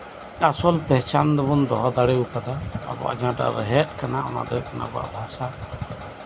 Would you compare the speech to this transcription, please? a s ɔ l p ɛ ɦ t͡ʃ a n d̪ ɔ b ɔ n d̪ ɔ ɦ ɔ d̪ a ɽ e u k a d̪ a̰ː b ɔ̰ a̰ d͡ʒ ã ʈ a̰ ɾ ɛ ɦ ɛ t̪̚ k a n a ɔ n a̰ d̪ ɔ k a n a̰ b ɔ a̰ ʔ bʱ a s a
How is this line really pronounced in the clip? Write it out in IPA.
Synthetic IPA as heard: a s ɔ l p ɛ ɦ t͡ʃ a n d̪ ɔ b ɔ n d̪ ɔ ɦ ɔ d̪ a ɽ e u k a d̪ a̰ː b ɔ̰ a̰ d͡ʒ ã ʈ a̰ ɾ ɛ ɦ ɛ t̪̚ k a n a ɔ n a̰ d̪ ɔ k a n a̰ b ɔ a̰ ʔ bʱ a s a